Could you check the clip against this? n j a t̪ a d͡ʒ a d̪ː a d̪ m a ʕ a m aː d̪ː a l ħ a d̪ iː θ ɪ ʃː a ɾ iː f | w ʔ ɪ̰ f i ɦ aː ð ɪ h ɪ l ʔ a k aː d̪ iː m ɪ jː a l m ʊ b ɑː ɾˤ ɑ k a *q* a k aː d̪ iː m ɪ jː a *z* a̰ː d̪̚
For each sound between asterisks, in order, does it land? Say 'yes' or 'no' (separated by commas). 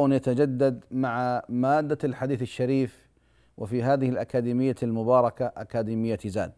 no, yes